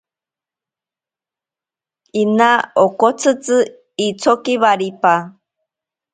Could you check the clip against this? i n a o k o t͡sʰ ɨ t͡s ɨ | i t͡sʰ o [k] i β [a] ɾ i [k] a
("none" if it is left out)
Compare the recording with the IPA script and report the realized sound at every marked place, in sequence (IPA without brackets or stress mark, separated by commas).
k, a, p